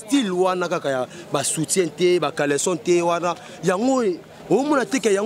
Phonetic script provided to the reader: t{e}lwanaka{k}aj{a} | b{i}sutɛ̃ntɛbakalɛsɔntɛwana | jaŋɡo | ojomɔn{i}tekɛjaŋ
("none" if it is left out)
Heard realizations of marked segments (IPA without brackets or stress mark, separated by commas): i, k, a, a, a